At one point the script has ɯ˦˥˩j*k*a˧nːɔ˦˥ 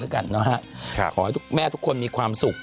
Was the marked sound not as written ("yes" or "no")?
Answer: no